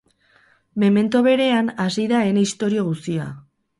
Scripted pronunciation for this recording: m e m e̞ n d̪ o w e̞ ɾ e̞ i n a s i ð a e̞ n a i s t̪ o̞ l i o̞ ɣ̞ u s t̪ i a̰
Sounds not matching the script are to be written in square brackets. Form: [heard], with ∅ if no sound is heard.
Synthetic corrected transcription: m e m e̞ n [t̪] o [β] e̞ ɾ e̞ [a] n a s i ð a e̞ n [e] i s t̪ o̞ [ɾ] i o̞ ɣ̞ u s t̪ i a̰